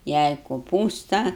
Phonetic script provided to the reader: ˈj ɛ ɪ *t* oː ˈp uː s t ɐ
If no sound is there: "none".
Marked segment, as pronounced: k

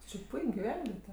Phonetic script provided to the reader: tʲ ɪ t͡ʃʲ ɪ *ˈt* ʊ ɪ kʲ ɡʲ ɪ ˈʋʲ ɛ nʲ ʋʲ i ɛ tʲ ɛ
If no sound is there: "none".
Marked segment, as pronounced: p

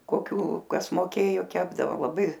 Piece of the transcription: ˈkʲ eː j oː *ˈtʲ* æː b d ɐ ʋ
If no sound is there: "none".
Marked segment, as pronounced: kʲ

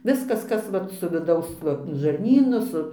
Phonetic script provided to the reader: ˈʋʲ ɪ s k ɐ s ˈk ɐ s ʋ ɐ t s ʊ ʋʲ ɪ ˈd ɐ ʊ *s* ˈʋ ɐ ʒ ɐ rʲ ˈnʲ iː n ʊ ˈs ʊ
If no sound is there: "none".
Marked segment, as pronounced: s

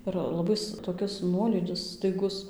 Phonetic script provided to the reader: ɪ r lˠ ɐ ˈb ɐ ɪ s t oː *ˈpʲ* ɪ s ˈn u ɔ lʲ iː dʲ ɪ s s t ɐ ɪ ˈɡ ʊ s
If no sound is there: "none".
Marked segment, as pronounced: kʲ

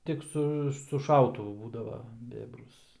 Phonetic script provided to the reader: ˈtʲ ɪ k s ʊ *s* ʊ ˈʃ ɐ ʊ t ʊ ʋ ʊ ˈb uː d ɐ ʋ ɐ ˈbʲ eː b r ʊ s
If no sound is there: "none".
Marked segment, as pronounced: s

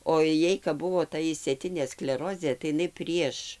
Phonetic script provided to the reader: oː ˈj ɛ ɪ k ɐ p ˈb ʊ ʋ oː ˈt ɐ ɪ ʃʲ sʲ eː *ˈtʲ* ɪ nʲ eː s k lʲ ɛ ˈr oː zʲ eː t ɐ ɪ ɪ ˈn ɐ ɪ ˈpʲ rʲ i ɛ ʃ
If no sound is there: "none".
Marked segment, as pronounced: tʲ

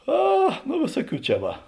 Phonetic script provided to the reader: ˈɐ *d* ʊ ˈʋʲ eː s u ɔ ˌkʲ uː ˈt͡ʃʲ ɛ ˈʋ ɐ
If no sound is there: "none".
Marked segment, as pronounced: n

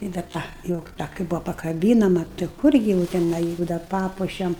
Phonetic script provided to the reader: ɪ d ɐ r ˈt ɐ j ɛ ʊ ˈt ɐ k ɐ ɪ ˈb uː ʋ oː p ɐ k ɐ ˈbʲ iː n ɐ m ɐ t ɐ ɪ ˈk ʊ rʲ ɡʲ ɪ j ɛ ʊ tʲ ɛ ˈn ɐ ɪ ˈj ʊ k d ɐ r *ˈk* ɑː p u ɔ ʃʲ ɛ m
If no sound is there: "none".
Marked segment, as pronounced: p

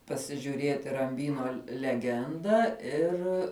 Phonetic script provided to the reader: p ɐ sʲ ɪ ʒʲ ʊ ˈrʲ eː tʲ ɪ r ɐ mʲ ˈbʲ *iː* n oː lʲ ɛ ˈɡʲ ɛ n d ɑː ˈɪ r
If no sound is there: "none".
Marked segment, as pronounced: iː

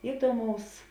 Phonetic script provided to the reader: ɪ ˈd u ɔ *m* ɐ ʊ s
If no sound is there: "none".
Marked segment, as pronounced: m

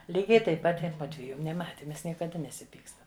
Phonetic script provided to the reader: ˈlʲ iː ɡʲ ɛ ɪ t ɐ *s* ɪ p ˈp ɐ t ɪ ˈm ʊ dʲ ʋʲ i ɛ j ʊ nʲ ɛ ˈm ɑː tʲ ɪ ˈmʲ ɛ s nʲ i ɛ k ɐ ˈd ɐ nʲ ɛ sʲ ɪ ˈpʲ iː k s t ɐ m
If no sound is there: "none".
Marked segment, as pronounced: none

